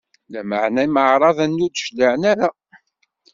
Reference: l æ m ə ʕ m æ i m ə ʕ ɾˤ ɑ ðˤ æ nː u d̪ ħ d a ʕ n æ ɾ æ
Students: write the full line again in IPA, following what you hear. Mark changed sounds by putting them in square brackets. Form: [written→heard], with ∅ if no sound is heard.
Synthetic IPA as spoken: l æ m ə ʕ [m→n] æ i m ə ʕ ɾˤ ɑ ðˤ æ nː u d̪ [ħ→ʃ] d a ʕ n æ ɾ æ